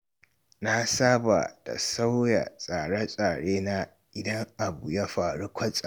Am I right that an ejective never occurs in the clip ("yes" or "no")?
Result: no